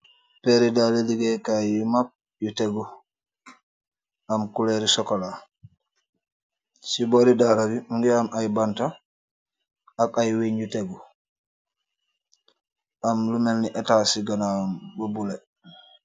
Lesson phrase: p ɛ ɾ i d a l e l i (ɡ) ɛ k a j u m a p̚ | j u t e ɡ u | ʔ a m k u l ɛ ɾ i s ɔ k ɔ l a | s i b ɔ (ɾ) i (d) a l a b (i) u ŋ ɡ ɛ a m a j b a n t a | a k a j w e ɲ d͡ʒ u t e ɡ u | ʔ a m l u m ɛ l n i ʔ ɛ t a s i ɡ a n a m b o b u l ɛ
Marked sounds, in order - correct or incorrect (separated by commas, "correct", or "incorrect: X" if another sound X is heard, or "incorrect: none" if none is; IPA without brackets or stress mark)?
correct, correct, correct, correct